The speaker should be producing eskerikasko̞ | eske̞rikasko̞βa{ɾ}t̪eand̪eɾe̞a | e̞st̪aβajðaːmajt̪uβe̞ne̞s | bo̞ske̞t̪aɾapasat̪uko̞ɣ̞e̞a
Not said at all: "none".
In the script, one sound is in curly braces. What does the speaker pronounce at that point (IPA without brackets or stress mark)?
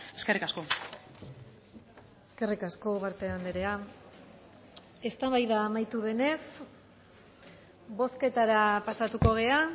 ɾ